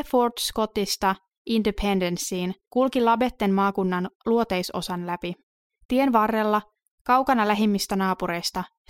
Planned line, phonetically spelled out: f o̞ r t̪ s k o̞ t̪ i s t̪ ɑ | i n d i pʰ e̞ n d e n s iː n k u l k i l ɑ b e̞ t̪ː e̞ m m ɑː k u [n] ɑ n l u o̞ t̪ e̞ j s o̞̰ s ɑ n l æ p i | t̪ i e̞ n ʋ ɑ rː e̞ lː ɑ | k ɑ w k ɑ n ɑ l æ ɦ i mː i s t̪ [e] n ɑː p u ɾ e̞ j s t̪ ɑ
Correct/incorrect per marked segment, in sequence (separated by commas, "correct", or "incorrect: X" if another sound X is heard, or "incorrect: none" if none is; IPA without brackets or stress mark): incorrect: nː, incorrect: æ